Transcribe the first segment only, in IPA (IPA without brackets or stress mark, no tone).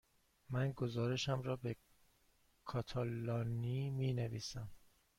m